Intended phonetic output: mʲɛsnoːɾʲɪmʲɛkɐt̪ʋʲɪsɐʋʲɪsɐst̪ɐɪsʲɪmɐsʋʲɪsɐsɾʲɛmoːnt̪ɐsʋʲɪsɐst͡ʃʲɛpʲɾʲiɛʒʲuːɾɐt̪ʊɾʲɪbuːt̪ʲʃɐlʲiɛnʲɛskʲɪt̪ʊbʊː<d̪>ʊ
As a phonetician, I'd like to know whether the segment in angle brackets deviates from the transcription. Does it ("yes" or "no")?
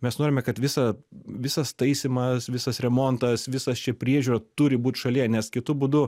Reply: no